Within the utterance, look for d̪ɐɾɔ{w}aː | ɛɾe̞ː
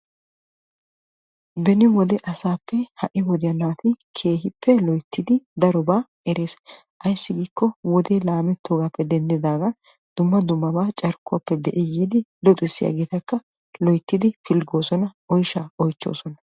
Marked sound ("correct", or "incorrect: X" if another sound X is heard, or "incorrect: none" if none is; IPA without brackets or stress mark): incorrect: b